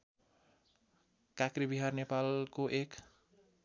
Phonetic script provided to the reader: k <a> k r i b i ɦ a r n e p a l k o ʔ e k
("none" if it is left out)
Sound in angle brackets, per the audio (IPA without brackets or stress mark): a